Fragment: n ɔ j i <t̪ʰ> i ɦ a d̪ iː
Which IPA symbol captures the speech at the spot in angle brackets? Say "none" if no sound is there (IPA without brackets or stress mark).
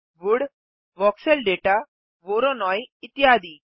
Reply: t̪